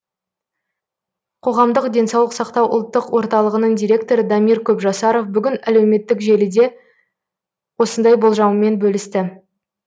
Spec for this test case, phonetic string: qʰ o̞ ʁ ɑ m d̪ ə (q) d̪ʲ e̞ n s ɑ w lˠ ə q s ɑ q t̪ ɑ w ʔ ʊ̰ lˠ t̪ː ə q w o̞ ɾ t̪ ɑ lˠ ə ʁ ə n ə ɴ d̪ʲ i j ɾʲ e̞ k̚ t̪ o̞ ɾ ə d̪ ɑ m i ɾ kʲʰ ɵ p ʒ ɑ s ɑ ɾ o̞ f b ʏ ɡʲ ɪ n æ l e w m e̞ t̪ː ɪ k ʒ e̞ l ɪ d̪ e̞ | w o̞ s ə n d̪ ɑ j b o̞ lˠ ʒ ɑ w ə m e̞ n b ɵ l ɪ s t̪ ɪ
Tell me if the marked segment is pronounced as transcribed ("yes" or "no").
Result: yes